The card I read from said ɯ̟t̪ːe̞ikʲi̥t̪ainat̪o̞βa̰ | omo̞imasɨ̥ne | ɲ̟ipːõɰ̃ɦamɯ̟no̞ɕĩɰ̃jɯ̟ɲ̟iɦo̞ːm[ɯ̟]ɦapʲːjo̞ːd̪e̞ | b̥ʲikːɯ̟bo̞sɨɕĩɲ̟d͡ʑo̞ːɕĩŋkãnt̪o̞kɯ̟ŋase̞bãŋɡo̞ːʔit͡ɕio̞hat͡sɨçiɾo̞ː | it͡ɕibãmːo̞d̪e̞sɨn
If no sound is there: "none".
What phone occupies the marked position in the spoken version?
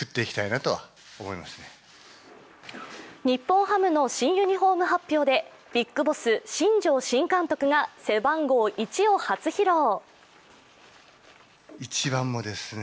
ɯ̟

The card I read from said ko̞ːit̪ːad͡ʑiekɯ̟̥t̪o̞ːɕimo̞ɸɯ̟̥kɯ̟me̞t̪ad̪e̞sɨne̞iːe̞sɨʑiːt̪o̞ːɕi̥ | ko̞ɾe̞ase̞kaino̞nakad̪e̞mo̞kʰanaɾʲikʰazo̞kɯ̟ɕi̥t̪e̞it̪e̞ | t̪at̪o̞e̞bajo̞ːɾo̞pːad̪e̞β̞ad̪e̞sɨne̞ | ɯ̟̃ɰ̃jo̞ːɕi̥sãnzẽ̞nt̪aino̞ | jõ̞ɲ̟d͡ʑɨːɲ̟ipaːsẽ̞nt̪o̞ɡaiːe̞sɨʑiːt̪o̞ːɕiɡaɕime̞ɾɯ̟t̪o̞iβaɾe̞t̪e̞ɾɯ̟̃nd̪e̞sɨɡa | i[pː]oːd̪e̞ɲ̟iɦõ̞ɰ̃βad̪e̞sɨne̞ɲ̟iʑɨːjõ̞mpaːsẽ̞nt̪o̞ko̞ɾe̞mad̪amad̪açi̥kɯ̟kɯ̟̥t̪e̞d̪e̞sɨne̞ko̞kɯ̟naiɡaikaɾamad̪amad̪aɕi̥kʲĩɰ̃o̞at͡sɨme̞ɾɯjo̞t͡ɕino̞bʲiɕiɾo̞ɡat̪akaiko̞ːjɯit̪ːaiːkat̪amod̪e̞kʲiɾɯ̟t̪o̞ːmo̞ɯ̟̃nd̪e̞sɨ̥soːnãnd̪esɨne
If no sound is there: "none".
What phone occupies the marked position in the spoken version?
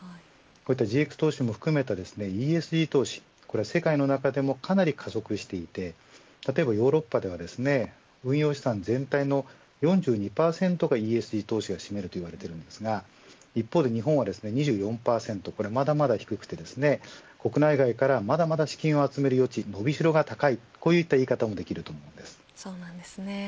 pː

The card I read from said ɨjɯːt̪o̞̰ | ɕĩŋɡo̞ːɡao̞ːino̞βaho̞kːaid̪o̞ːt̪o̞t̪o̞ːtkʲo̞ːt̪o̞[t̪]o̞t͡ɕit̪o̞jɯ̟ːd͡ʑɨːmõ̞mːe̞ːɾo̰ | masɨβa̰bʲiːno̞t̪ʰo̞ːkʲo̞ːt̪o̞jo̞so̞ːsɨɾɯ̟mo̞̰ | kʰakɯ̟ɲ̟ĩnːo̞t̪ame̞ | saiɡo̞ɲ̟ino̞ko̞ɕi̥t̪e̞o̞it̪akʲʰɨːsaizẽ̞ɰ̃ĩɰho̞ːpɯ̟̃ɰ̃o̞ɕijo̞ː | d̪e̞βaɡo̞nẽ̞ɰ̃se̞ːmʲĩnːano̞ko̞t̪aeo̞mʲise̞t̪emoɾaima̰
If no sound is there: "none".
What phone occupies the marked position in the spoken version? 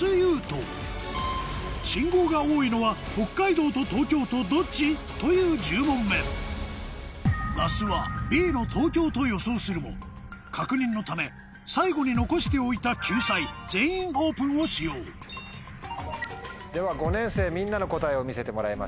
d̪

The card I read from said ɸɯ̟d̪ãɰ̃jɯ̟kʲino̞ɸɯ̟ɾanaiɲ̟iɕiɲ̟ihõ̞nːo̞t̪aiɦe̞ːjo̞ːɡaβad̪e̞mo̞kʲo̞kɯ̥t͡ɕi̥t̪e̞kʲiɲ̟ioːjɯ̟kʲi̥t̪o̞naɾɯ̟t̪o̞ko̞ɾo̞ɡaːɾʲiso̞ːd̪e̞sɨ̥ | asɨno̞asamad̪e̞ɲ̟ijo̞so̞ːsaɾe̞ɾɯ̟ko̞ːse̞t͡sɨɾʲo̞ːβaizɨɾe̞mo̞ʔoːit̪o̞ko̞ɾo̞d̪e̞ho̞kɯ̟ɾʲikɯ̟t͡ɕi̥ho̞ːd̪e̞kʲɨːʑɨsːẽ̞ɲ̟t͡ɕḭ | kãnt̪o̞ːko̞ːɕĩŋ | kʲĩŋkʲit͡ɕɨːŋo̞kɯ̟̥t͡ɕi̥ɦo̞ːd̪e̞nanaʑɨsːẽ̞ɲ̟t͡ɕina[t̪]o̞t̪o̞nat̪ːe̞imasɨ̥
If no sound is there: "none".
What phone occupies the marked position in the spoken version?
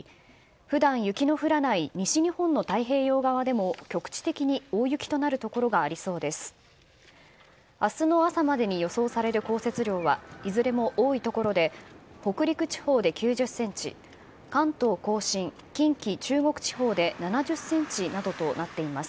d̪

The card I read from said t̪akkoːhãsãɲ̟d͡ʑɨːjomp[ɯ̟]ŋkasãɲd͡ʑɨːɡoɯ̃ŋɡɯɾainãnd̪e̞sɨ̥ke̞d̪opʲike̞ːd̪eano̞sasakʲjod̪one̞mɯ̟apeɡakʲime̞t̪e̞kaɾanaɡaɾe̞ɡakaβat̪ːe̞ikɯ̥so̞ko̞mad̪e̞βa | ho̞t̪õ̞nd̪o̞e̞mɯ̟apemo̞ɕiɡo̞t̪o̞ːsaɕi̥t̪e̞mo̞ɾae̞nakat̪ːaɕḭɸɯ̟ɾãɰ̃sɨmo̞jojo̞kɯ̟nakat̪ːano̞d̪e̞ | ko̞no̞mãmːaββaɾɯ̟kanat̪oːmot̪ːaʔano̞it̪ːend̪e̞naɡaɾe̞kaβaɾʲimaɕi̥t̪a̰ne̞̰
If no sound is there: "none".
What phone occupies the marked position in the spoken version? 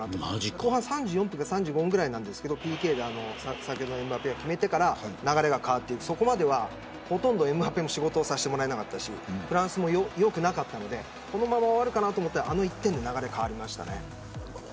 ɯ̟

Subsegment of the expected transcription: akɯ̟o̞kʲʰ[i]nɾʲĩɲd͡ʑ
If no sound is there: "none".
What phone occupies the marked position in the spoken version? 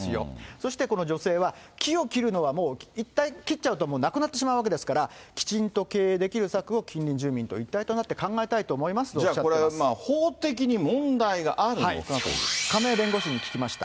ĩ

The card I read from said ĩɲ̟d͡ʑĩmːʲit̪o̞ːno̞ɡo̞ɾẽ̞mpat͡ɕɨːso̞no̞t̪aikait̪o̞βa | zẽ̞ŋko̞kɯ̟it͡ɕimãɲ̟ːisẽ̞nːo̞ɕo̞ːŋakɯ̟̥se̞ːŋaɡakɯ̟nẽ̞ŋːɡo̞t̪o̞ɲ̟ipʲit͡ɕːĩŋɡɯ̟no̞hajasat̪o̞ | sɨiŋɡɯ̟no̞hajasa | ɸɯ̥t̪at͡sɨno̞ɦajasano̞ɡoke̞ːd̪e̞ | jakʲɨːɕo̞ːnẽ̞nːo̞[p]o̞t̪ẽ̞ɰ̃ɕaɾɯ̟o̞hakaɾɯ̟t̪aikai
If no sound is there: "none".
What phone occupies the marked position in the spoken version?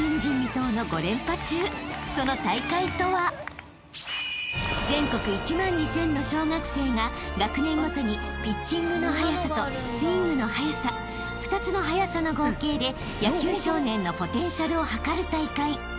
p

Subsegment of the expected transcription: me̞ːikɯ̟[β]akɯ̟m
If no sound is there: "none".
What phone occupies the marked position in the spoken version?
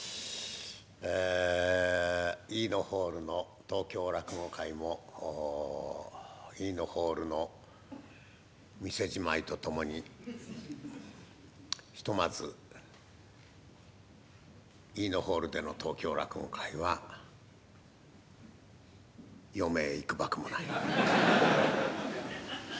b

